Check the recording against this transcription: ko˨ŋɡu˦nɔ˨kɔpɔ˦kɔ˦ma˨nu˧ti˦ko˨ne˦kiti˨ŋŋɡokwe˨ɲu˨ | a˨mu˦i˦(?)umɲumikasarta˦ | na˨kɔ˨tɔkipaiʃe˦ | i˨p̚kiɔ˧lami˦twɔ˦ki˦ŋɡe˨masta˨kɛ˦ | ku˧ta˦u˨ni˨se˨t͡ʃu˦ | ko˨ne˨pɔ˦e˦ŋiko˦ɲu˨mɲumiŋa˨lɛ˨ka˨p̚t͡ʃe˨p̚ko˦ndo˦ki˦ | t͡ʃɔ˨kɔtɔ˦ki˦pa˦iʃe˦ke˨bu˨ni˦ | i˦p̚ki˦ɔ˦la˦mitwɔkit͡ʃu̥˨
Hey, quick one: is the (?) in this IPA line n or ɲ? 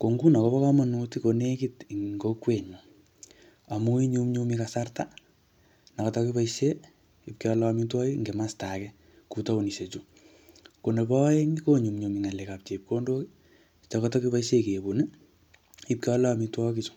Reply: ɲ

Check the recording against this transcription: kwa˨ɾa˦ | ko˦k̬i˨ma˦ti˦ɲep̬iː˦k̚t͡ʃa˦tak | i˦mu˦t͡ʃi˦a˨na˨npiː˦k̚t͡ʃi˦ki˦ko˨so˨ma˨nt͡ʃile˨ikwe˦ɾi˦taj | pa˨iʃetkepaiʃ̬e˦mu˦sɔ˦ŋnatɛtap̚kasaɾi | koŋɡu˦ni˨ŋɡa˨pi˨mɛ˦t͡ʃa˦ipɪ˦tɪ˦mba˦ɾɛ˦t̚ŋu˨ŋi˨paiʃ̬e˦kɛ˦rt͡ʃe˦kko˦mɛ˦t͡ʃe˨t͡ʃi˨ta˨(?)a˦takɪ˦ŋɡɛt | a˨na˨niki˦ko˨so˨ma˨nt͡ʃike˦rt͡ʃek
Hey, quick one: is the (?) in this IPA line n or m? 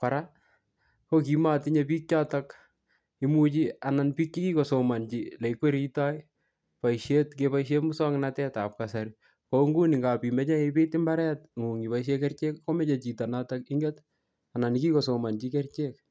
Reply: n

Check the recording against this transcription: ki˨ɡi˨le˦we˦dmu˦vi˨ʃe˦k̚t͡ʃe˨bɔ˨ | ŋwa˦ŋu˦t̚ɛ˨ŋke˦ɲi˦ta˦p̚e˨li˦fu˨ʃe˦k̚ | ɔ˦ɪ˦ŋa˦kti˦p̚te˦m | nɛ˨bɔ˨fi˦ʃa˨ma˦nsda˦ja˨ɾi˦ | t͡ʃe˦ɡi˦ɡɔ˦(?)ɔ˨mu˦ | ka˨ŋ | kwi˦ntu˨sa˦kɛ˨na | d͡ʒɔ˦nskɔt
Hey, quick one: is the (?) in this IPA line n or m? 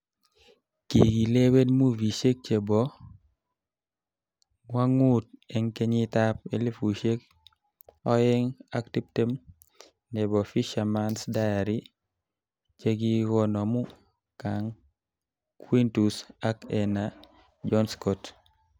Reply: n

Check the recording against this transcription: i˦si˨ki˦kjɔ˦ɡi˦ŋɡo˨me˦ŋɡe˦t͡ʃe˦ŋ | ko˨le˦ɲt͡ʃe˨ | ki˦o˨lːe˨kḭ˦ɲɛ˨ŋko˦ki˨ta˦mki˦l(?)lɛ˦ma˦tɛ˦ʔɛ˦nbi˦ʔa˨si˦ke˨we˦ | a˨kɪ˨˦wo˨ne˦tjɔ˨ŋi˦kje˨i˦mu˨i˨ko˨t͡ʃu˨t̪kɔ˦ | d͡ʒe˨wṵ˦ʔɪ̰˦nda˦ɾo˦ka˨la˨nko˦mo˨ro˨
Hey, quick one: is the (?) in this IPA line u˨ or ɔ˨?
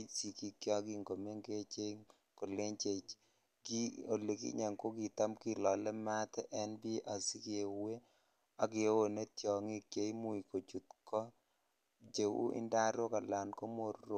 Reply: ɔ˨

